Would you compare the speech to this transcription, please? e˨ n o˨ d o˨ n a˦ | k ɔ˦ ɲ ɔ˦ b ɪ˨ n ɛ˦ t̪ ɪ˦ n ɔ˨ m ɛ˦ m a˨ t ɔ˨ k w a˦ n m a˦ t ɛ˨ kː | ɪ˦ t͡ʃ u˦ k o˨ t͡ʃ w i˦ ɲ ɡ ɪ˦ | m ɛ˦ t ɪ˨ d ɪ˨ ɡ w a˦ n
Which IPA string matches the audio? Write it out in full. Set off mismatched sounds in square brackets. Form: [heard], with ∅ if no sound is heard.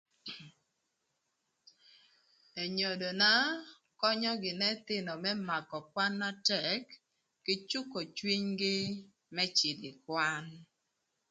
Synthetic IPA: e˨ [ɲ] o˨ d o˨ n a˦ | k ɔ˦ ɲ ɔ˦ [ɡ] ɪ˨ n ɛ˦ t̪ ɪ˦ n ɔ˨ m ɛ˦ m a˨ [k] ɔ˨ k w a˦ n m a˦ t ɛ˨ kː | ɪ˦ t͡ʃ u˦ k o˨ t͡ʃ w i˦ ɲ ɡ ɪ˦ | m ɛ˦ [t͡ʃ] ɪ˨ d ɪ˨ [k] w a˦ n